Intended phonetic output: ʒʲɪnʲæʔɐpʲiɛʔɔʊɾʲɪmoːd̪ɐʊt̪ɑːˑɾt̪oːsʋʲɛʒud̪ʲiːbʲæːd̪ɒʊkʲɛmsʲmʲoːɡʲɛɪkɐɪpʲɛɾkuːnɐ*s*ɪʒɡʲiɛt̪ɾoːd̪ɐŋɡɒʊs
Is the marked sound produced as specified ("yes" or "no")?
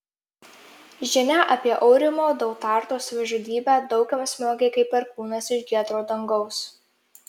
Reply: yes